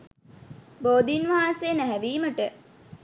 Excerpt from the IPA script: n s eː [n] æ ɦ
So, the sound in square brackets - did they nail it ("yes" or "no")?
yes